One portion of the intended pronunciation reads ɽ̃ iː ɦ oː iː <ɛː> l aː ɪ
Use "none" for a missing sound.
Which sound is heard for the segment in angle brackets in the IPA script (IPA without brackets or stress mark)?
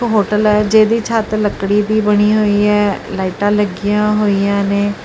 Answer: ɛː